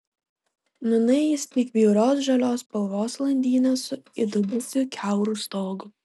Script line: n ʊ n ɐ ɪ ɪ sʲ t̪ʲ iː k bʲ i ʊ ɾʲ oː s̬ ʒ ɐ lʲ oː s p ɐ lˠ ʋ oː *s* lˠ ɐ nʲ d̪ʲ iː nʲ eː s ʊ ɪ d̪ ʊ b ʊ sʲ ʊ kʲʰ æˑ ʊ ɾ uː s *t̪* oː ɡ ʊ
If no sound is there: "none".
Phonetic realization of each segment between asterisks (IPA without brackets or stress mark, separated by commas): s, t̪